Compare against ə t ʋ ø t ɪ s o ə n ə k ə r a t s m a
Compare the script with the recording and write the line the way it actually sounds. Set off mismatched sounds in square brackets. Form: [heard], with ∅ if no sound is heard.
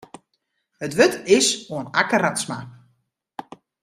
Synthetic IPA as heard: ə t ʋ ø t ɪ s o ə n [a] k ə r a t s m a